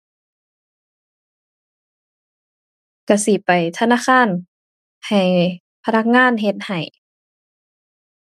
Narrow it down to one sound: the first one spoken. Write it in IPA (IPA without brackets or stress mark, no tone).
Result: k